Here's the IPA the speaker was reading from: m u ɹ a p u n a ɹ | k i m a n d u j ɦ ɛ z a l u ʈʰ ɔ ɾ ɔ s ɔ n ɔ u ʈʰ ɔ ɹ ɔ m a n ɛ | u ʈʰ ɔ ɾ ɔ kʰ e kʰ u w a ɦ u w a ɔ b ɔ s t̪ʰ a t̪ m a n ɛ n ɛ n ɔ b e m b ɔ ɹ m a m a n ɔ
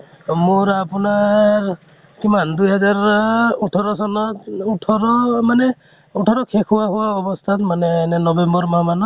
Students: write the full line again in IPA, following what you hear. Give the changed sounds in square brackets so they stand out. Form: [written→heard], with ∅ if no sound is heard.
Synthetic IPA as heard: m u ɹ a p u n a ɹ | k i m a n d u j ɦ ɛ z a [l→ɹ] u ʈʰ ɔ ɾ ɔ s ɔ n ɔ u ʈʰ ɔ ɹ ɔ m a n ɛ | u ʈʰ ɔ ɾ ɔ kʰ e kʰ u w a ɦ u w a ɔ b ɔ s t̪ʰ a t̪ m a n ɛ n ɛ n ɔ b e m b ɔ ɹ m a m a n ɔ

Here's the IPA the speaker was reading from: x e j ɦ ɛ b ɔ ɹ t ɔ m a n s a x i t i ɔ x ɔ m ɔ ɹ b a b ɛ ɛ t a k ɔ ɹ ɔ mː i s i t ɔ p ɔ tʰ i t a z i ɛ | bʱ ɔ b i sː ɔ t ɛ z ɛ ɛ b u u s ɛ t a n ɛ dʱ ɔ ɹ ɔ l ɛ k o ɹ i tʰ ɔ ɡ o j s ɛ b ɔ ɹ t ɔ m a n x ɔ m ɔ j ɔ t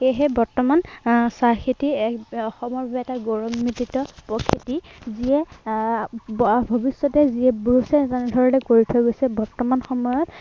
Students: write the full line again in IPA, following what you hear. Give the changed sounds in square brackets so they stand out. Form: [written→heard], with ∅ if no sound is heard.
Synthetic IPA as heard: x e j ɦ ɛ b ɔ ɹ t ɔ m a n s a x i t i ɔ x ɔ m ɔ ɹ b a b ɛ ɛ t a [k→ɡ] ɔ ɹ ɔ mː i [s→t] i t ɔ p ɔ [tʰ→kʰ] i t [a→i] z i ɛ | bʱ ɔ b i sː ɔ t ɛ z [ɛ→i] ɛ b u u s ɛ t a n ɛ dʱ ɔ ɹ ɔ l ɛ k o ɹ i tʰ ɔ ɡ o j s ɛ b ɔ ɹ t ɔ m a n x ɔ m ɔ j ɔ t

